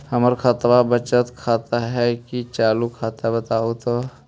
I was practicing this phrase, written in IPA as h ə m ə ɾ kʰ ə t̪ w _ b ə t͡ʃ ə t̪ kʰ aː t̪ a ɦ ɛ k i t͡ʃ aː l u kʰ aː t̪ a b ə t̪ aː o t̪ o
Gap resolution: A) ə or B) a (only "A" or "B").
B